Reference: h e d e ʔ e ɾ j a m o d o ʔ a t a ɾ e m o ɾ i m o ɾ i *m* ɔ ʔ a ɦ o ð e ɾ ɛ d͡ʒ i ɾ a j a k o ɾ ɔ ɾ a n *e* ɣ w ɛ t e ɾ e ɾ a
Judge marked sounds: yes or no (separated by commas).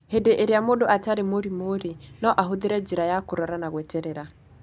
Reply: no, no